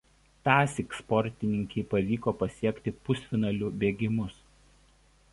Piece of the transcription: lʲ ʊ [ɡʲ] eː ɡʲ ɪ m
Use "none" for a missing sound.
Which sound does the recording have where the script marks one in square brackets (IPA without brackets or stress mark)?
bʲ